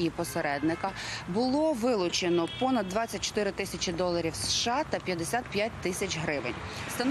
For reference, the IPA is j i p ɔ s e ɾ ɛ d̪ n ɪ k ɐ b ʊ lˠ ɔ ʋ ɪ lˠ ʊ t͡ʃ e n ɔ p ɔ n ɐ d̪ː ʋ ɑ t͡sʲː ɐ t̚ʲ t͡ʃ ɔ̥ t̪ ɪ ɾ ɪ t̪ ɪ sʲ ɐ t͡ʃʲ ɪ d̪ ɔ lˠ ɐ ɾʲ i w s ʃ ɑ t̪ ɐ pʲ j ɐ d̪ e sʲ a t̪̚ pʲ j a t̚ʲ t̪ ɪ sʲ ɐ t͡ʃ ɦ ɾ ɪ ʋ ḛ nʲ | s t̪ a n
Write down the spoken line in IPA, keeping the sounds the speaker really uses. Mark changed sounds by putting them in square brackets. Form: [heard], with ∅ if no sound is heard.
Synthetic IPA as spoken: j i p ɔ s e ɾ ɛ d̪ n ɪ k ɐ b ʊ lˠ ɔ ʋ ɪ lˠ ʊ t͡ʃ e n ɔ p ɔ n ɐ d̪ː ʋ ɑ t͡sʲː ɐ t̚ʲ t͡ʃ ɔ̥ t̪ ɪ ɾ ɪ t̪ ɪ sʲ ɐ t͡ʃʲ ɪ d̪ ɔ lˠ ɐ ɾʲ i w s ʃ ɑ t̪ ɐ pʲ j ɐ d̪ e sʲ a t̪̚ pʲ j a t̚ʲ t̪ ɪ sʲ ɐ t͡ʃ ɦ ɾ ɪ ʋ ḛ nʲ | s t̪ [ɐ] n